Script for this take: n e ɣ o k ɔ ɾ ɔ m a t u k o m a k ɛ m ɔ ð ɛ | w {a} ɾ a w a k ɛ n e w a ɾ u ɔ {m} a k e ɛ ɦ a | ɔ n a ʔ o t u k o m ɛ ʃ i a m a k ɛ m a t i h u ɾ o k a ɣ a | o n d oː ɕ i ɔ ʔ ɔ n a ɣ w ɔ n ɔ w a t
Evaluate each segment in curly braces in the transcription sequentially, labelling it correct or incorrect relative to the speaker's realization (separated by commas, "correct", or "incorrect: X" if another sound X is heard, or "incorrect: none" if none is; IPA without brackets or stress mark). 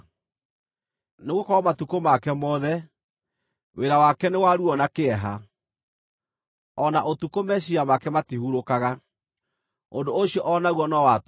incorrect: e, incorrect: n